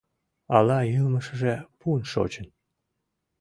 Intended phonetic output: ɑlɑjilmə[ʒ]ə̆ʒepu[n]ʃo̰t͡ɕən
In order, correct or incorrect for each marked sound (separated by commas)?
incorrect, correct